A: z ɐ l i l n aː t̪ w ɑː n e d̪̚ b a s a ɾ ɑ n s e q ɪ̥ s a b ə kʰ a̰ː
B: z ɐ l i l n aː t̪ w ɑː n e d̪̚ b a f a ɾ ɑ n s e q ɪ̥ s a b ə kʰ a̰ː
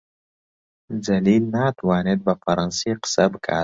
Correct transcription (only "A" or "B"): B